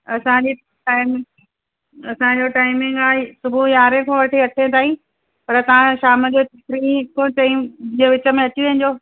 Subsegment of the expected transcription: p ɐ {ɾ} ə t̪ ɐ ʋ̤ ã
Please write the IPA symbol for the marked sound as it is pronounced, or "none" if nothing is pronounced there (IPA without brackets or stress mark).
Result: ɾ